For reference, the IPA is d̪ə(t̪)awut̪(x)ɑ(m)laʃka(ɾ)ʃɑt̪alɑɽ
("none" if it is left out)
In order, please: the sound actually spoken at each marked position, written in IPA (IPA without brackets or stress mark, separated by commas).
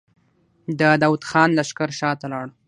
d̪, x, n, ɾ